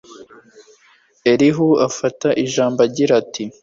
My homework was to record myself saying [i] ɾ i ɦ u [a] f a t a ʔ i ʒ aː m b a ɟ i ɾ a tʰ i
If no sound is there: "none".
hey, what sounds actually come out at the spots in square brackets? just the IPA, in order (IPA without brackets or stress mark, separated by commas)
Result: e, a